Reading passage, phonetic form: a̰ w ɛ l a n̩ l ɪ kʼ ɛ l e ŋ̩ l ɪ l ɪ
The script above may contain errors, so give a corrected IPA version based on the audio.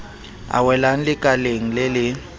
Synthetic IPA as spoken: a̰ w ɛ l a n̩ l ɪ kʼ a l e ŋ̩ l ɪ l ɪ